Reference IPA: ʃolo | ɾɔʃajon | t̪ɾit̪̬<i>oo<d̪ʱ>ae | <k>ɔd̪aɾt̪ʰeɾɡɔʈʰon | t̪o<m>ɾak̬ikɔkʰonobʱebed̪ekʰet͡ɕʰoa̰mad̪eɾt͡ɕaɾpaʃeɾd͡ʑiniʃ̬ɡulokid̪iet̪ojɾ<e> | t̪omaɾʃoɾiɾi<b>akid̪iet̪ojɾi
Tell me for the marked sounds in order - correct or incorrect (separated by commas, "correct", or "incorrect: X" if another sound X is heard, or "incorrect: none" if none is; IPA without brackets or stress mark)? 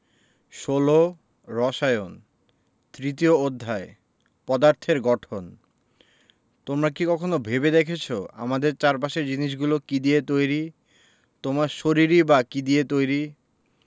correct, incorrect: d̪ʱː, incorrect: p, correct, incorrect: i, correct